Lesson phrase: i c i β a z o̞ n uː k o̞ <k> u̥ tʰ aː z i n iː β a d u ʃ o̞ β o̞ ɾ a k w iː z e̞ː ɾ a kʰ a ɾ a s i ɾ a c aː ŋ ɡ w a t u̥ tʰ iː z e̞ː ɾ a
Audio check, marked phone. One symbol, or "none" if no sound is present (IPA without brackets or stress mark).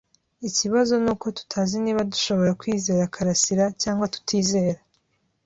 t